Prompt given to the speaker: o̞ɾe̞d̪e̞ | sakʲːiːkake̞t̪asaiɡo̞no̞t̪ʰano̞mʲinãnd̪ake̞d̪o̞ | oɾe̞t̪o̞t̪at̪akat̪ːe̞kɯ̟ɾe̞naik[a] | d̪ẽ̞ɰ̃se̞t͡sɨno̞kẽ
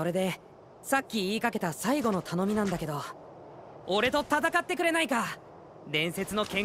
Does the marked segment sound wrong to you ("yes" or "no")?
no